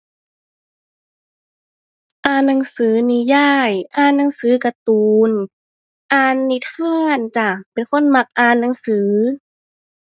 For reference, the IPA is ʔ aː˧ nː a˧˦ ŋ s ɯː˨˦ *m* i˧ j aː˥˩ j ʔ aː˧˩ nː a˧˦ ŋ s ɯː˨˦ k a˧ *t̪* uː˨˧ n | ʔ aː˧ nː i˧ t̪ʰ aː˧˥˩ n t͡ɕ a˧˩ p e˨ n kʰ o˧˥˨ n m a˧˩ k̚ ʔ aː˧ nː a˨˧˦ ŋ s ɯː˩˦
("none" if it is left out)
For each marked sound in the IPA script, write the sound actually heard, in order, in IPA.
n, t̪

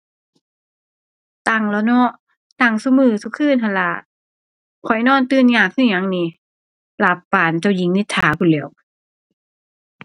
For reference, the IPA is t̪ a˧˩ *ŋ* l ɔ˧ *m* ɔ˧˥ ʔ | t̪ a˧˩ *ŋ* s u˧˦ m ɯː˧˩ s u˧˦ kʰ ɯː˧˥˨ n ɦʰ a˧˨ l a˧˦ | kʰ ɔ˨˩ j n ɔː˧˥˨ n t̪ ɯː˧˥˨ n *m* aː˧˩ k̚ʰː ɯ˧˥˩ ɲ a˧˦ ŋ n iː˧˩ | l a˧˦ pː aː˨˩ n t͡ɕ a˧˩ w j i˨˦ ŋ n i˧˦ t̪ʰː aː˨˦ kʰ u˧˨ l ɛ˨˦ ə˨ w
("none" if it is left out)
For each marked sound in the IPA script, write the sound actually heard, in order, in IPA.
ŋ, n, ŋ, ɲ

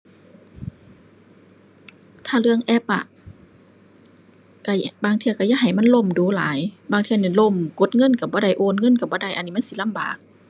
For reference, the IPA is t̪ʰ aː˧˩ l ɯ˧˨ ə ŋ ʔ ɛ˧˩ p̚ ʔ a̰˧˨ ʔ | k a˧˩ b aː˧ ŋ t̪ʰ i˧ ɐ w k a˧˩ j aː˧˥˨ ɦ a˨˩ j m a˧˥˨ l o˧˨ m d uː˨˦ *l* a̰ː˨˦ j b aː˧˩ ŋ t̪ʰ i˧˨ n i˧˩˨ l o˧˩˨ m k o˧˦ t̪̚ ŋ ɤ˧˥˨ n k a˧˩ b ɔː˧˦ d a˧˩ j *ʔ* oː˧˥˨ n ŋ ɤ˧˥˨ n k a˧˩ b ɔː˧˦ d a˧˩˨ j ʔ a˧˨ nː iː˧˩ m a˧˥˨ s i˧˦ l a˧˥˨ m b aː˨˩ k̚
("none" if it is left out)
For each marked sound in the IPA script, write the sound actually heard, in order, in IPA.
l, ʔ

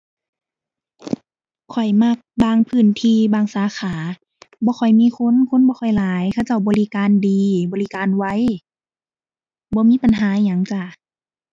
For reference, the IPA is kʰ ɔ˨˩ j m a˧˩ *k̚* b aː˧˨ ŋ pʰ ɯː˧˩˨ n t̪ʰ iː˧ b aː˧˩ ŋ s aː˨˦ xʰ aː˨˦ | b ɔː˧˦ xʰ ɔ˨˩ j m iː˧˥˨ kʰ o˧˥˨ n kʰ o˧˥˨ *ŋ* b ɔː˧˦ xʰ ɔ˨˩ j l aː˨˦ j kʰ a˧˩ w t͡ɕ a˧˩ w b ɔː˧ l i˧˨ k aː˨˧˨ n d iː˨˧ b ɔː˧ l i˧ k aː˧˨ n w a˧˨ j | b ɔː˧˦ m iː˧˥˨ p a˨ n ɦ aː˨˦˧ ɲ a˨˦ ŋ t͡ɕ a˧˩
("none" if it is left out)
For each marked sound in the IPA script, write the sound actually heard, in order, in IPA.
k̚, n

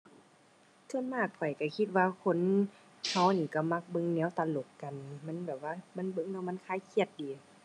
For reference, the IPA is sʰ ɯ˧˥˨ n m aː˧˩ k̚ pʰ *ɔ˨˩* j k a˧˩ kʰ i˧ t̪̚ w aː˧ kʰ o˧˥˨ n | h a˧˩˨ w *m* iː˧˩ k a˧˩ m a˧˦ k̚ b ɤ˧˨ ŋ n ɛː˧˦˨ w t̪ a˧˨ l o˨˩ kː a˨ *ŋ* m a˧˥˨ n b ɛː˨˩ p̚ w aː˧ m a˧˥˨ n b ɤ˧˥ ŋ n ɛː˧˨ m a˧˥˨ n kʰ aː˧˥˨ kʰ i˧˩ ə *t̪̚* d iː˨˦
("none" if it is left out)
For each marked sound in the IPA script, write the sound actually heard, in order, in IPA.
ɔ˨˩, n, n, t̪̚

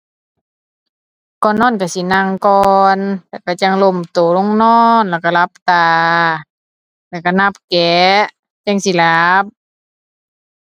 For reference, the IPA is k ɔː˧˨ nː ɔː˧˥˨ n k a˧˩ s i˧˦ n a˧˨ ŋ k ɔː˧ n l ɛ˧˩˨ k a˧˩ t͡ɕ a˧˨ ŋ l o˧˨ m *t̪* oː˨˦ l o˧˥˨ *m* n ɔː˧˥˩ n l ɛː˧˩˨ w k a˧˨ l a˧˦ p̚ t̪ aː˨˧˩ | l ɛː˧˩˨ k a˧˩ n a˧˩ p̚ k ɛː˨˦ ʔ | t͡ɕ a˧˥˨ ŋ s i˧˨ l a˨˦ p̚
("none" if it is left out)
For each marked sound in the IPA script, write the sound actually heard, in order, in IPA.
t̪, ŋ

